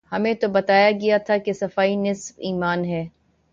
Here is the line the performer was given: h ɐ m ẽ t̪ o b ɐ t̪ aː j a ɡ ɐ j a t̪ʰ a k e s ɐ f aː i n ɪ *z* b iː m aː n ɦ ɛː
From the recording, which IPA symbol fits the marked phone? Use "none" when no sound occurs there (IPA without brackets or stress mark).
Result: s